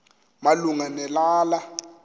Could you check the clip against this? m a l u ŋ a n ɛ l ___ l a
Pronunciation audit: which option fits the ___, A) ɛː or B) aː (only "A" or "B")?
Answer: B